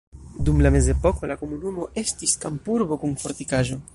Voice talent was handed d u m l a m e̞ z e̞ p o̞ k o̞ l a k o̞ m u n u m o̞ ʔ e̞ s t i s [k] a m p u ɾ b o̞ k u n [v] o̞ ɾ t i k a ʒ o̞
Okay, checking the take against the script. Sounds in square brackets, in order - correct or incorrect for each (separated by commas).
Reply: correct, incorrect